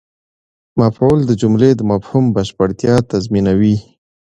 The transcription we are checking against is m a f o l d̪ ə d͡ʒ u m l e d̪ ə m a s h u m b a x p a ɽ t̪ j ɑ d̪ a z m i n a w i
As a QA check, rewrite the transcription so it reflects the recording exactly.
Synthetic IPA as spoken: m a f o l d̪ ə d͡ʒ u m l e d̪ ə m a f h u m b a ʃ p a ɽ t̪ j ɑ t̪ a z m i n a w i